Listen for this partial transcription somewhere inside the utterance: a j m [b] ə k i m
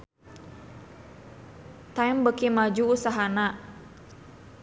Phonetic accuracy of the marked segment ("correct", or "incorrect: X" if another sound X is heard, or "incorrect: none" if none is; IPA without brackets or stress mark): correct